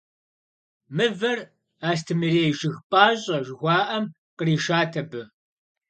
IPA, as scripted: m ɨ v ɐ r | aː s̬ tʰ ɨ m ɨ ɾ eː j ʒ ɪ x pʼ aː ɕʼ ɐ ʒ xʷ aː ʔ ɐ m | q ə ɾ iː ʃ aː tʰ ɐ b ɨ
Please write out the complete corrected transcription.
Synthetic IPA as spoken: m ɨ v ɐ r | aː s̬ tʰ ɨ m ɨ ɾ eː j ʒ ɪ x pʼ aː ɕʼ ɐ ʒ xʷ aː ʔ ɐ m | q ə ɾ iː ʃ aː tʰ ɐ b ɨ